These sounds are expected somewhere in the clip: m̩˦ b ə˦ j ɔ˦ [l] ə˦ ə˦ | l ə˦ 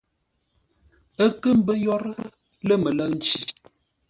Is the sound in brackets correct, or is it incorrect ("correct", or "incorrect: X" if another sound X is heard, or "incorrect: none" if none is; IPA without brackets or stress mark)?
incorrect: ɾ